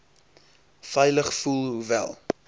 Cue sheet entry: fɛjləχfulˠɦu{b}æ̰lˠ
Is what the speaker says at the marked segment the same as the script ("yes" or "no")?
no